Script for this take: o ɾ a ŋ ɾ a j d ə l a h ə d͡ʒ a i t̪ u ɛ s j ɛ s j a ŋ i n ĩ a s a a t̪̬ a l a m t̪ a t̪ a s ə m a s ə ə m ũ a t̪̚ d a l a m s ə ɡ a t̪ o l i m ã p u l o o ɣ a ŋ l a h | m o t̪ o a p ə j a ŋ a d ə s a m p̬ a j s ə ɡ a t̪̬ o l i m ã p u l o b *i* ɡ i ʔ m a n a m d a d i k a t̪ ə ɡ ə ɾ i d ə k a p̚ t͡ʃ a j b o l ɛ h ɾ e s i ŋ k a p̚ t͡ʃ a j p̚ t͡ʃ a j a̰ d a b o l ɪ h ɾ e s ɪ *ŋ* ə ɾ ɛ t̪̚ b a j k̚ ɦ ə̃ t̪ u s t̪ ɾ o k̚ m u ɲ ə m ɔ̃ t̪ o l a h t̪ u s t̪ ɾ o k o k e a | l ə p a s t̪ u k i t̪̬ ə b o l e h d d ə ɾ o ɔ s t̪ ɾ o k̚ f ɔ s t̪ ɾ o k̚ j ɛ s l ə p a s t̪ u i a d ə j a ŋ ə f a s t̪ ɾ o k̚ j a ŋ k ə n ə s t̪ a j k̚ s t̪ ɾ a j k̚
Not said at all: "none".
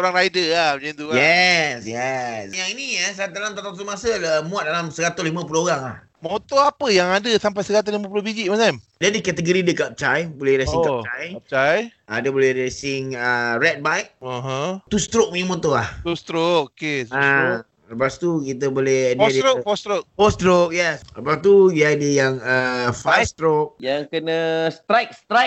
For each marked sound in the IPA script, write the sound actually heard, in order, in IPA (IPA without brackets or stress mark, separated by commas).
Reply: i, ŋ